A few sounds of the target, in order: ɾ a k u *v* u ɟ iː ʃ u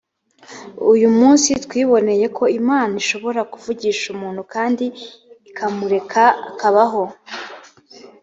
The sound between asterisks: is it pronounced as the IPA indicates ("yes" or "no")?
yes